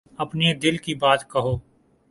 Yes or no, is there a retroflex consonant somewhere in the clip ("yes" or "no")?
no